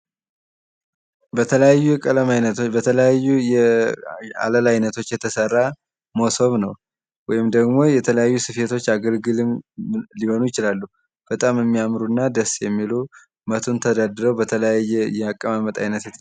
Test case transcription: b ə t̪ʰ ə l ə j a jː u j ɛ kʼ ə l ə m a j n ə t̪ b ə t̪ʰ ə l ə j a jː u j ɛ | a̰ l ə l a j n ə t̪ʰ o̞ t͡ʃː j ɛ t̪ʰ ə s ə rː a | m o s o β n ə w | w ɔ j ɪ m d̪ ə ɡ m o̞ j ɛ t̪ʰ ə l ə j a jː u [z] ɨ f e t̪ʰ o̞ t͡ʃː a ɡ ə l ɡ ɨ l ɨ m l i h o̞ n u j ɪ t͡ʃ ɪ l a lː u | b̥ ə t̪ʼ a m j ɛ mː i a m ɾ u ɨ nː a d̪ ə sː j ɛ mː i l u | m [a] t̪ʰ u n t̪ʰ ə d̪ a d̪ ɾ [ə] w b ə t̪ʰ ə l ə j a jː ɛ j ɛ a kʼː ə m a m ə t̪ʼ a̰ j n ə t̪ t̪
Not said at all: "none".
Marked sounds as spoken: s, ə, ə

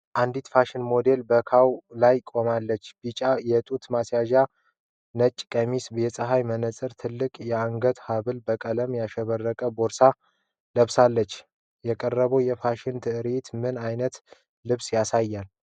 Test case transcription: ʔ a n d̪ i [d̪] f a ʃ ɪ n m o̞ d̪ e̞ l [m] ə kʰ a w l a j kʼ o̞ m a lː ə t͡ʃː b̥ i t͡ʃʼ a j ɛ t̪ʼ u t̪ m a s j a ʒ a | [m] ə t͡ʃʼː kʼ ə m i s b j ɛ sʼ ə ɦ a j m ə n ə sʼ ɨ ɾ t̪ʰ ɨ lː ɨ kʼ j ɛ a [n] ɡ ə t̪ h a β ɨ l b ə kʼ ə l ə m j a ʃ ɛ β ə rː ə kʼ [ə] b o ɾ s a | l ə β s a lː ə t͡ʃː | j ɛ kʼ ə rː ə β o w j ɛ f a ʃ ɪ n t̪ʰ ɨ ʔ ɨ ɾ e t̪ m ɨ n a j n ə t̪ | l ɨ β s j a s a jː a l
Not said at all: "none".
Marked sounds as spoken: t̪, b, n, ŋ, ə

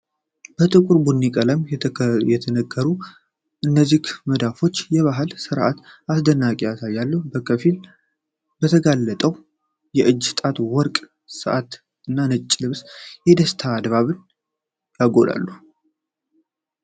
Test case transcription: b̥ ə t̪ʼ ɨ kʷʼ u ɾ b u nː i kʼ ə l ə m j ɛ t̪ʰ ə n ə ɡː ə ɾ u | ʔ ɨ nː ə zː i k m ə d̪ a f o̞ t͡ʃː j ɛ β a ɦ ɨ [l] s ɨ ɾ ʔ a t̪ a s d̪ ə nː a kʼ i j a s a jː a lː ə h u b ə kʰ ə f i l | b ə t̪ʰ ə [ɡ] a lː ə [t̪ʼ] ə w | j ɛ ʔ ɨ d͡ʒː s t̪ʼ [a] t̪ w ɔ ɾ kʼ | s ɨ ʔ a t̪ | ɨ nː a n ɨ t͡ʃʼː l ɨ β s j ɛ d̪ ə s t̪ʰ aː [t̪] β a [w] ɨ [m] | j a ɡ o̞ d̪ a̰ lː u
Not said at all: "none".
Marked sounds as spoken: l, ɡ, t̪ʼ, a, d̪, β, n

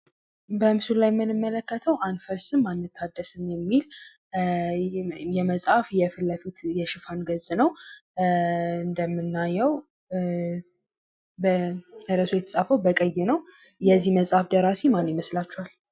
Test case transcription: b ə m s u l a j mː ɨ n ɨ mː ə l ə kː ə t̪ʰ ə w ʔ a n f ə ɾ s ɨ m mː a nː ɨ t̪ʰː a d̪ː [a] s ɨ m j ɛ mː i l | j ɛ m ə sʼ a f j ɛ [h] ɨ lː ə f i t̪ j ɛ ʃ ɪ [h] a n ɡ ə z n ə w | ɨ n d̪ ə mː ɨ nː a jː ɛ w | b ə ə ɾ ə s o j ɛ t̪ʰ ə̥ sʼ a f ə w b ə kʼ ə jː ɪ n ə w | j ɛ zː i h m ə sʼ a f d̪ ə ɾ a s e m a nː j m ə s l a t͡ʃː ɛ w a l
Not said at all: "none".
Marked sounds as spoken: ə, f, f

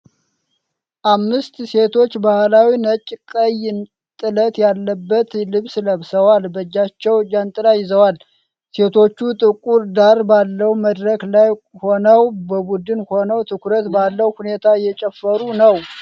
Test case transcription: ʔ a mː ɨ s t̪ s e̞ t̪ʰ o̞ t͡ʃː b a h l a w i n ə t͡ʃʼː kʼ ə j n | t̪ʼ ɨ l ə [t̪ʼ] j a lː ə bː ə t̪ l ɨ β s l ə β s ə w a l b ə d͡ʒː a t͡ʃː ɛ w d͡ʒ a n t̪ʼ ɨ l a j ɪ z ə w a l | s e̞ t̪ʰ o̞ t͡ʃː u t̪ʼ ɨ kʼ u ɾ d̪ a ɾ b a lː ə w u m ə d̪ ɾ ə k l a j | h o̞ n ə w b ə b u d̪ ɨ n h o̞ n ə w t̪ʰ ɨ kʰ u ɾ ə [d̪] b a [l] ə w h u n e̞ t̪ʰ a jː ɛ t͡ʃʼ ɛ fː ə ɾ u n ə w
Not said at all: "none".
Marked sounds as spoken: t̪, t̪, lː

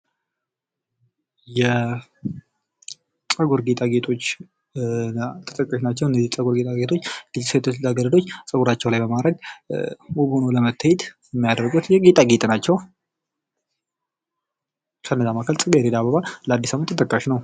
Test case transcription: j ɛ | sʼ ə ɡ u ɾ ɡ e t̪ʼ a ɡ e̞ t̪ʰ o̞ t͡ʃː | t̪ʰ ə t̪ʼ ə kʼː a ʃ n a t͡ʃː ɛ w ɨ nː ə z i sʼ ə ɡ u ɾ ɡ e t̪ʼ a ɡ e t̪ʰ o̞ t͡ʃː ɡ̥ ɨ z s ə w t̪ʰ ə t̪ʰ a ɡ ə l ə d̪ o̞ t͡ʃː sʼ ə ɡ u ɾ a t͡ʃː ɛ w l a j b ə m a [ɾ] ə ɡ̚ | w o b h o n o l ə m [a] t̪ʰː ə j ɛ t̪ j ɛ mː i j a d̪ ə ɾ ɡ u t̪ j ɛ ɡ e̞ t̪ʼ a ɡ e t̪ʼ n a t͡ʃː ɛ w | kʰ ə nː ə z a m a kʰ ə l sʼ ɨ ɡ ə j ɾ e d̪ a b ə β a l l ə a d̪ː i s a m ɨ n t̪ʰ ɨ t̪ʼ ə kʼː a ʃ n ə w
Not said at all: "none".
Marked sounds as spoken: ɾ, ə

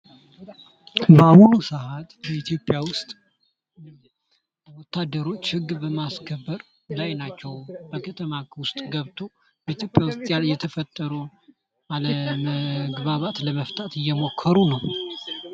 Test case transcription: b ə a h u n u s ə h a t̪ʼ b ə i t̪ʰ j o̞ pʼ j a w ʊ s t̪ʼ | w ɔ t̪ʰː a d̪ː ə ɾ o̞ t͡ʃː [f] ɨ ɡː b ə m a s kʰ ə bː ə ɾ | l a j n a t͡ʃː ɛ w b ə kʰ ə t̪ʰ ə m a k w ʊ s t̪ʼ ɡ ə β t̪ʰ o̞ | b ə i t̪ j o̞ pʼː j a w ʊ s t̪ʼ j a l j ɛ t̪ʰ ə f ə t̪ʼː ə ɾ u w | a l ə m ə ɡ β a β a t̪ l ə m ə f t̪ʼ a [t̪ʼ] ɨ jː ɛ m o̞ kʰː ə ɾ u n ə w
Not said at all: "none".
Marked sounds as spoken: h, t̪

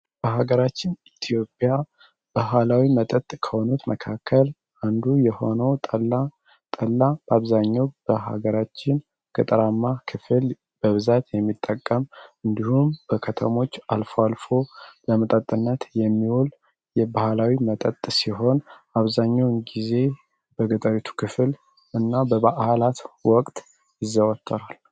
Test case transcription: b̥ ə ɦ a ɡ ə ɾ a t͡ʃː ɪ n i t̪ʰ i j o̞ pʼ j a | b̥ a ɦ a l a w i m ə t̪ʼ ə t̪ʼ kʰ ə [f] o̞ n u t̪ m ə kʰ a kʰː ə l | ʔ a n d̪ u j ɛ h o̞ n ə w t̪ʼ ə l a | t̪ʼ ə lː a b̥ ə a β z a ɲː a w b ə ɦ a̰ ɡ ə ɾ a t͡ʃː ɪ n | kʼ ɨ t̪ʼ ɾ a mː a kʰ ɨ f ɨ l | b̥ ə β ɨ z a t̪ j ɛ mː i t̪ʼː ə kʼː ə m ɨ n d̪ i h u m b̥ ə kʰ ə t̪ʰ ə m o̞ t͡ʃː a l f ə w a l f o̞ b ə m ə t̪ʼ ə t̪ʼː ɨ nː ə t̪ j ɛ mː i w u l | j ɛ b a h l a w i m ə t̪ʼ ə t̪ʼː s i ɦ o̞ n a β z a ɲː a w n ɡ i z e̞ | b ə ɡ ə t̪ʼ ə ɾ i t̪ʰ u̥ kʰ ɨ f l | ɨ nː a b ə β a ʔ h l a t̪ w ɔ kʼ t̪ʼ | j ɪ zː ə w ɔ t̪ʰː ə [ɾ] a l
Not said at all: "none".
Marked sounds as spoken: h, ɾ

